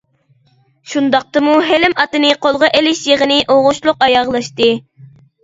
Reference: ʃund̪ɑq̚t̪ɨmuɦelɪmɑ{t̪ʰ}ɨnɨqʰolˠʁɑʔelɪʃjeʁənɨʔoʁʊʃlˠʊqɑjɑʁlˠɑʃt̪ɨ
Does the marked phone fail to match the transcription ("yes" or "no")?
yes